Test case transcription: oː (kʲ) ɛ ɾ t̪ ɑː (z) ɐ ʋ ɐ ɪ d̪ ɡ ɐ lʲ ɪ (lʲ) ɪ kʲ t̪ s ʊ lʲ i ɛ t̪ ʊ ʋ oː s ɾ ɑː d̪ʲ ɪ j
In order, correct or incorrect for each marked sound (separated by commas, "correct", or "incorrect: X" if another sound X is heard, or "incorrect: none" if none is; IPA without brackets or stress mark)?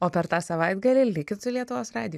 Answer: incorrect: pʲ, incorrect: s, correct